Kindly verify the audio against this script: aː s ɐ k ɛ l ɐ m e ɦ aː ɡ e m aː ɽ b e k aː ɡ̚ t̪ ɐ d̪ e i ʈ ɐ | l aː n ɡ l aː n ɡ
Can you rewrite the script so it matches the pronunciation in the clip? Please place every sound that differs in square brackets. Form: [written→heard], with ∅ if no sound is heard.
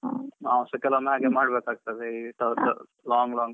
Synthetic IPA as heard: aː s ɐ k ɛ l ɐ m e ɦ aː ɡ e m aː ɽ b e k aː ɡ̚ t̪ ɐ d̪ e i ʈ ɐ | l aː [n→ŋ] ɡ l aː [n→ŋ] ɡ